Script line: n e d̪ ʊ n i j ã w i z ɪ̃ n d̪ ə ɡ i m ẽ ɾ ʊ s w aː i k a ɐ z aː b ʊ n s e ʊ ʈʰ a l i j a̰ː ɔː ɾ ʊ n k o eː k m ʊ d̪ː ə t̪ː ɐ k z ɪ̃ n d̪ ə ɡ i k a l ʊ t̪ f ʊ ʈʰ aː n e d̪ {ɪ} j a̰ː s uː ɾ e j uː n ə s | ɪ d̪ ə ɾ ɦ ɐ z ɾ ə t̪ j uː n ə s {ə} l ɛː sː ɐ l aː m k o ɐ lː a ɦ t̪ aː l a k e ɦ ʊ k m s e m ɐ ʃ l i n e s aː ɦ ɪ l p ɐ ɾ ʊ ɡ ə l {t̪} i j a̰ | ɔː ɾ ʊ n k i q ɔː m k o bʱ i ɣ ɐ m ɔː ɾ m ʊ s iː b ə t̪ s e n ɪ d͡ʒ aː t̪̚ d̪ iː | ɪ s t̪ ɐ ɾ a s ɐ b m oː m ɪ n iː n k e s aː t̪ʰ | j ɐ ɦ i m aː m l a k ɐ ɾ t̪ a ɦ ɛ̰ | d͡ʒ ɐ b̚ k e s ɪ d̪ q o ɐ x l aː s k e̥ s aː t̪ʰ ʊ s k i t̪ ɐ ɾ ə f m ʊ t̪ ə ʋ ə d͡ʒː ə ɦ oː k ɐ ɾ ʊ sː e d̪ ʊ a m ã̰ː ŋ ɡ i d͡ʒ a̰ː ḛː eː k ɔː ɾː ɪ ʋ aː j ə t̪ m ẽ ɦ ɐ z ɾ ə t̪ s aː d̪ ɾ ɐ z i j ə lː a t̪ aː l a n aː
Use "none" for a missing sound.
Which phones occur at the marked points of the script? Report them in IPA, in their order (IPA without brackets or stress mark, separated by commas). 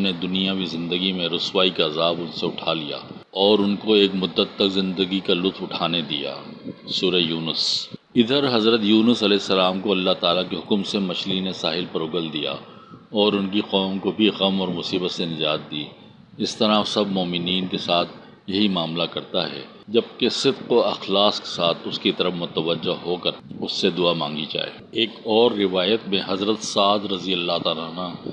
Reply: i, ɐ, d̪